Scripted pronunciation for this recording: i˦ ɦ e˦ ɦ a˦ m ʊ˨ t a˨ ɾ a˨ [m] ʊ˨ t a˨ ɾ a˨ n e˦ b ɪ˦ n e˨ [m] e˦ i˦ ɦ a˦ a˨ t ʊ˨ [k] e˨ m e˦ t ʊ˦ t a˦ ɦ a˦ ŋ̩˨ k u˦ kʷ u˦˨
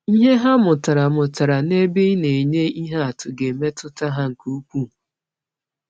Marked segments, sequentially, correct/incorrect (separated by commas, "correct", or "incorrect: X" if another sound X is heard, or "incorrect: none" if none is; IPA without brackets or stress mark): correct, incorrect: ɲ, incorrect: ɡ